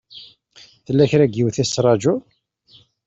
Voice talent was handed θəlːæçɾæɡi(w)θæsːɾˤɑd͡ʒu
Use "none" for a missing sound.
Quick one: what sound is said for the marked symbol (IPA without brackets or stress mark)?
w